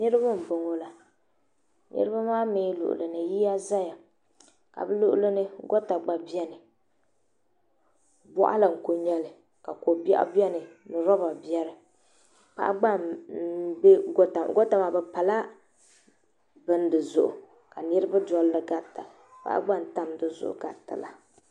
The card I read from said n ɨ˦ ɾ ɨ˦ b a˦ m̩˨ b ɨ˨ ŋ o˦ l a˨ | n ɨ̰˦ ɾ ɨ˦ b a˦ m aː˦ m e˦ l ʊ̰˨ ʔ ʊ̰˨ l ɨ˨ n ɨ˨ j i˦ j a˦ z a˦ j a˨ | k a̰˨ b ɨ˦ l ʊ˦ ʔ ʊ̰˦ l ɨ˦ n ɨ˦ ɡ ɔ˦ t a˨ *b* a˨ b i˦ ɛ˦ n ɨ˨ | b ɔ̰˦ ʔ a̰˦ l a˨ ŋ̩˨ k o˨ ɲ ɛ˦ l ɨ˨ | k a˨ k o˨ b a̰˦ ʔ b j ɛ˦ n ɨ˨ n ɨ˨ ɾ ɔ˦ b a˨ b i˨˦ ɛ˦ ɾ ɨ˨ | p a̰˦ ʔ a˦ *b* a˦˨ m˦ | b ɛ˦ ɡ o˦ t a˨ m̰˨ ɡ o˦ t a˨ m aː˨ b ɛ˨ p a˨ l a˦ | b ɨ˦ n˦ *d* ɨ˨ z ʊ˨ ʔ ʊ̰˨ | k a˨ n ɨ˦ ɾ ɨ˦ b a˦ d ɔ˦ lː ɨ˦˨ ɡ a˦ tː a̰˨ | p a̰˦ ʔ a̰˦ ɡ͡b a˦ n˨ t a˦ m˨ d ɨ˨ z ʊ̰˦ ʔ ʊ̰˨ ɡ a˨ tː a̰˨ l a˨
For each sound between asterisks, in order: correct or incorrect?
incorrect, incorrect, correct

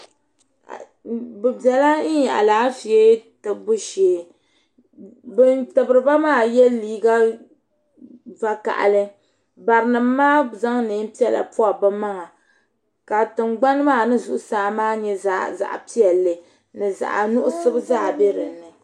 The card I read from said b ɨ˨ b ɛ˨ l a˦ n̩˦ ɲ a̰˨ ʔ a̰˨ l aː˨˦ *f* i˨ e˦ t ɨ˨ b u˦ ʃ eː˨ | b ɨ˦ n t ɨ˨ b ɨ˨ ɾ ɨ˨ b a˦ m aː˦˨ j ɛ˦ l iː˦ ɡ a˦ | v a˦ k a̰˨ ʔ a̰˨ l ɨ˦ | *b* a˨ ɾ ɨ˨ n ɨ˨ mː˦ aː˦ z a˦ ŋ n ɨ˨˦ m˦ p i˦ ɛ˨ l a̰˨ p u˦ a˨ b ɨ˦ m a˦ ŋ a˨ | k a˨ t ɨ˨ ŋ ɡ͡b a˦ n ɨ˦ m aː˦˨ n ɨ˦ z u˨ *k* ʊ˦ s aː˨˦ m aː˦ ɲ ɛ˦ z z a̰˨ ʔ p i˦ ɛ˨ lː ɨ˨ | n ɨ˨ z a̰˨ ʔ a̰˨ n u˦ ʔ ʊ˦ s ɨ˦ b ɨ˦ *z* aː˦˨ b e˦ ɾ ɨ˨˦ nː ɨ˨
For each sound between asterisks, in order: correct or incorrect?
correct, correct, incorrect, correct

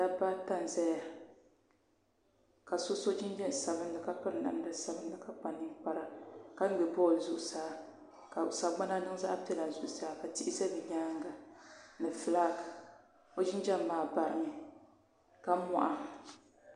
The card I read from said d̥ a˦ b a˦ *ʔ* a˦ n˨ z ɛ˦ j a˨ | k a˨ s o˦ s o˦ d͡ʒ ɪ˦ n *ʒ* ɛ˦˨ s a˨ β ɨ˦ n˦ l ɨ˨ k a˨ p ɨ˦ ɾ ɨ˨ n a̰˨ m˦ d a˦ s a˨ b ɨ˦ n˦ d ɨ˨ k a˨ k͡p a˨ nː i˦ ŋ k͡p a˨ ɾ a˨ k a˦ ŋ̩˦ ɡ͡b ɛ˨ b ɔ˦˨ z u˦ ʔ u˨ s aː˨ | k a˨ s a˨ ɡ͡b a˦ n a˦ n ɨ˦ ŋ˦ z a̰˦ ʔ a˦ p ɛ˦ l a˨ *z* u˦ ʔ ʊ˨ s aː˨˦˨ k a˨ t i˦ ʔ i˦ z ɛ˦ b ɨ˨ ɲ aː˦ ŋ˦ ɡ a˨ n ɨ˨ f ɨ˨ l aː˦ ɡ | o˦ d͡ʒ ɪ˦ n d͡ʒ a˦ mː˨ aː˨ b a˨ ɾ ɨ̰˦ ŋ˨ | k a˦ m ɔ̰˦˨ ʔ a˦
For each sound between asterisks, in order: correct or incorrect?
incorrect, incorrect, correct

